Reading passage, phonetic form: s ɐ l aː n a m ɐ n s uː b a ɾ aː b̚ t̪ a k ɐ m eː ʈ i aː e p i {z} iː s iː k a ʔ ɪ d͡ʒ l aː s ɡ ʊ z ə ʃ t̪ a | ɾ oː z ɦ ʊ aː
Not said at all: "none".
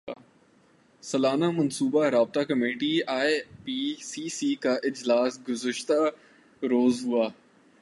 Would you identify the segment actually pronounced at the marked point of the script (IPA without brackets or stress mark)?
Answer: s